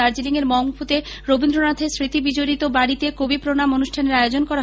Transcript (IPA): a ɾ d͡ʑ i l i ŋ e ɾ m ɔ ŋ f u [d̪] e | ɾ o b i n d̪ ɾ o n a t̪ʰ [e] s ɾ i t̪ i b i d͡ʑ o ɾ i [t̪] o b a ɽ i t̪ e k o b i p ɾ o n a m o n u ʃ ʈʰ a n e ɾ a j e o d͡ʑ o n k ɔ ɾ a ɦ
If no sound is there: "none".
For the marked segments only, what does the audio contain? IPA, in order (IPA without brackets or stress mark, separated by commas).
t̪, e, t̪